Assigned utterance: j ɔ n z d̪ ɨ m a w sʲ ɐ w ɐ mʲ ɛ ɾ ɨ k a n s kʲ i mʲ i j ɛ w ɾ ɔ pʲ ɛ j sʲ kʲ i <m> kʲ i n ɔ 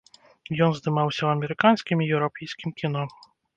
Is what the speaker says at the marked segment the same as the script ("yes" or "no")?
yes